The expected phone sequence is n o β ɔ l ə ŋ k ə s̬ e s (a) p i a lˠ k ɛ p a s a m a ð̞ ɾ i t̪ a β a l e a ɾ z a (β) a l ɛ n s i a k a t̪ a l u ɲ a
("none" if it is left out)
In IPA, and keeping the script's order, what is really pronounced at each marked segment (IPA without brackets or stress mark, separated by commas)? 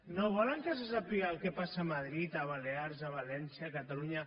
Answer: a, β